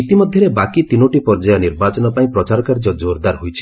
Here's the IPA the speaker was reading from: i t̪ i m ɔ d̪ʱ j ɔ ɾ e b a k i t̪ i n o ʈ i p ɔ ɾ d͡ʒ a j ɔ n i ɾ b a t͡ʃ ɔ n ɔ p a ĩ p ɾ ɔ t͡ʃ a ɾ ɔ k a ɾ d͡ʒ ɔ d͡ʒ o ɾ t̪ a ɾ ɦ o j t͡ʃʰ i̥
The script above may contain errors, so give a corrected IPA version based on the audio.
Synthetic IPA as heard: i t̪ i m ɔ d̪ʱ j ɔ ɾ e b a k i t̪ i n o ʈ i p ɔ ɾ d͡ʒ a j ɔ n i ɾ b a t͡ʃ ɔ n ɔ p a ĩ p ɾ ɔ t͡ʃ a ɾ ɔ k a ɾ d͡ʒ ɔ d͡ʒ o ɾ d̪ a ɾ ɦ o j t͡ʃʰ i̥